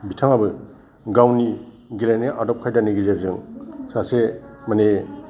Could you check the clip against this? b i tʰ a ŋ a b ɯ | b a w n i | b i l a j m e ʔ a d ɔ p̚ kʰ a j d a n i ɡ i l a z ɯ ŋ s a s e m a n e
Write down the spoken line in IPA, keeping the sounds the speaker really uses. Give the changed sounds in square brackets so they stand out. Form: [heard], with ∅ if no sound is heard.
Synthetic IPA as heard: b i tʰ a ŋ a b ɯ | [ɡ] a w n i | [ɡ] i l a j [n] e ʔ a d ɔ p̚ kʰ a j d a n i ɡ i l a z ɯ ŋ s a s e m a n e